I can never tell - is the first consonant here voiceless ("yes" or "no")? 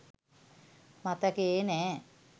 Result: no